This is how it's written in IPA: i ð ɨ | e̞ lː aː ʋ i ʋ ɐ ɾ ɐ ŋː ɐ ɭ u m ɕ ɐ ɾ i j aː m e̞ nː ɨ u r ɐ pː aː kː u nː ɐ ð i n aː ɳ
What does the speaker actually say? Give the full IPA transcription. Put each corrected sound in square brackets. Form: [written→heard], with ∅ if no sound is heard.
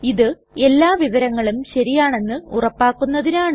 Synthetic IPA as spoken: i ð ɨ | e̞ lː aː ʋ i ʋ ɐ ɾ ɐ ŋː ɐ ɭ u m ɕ ɐ ɾ i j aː [m→ɳ] e̞ nː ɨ u r ɐ pː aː kː u nː ɐ ð i n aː ɳ